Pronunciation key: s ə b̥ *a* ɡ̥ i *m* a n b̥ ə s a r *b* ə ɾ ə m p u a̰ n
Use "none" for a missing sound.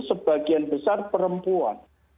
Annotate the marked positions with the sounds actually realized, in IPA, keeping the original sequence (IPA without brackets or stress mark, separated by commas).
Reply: a, none, p